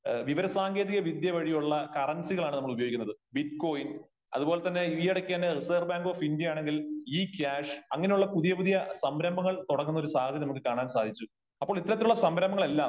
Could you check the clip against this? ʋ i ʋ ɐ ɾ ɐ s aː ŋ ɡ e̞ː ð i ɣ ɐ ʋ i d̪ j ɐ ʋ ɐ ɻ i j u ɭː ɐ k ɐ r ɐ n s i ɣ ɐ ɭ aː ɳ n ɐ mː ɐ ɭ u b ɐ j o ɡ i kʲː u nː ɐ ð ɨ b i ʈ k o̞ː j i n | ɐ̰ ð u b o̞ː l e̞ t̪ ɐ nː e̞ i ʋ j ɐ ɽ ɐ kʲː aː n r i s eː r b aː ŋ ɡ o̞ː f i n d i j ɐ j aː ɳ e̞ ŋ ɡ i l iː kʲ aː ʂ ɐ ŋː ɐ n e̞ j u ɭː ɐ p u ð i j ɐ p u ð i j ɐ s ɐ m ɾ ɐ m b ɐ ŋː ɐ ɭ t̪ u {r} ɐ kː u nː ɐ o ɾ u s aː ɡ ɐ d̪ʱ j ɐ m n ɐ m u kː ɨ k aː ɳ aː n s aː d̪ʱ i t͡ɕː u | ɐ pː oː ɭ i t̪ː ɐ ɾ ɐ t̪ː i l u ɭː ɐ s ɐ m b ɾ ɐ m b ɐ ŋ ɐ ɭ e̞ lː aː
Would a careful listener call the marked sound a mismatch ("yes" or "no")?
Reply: yes